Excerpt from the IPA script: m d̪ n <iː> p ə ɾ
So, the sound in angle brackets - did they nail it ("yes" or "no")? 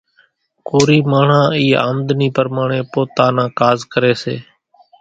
yes